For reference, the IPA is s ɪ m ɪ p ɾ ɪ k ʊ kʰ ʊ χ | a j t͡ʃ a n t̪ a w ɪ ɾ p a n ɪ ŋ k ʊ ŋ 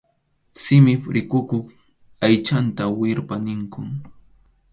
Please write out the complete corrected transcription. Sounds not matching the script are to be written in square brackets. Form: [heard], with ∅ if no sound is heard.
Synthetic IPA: s ɪ m ɪ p ɾ ɪ k ʊ [k] ʊ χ | a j t͡ʃ a n t̪ a w ɪ ɾ p a n ɪ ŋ k ʊ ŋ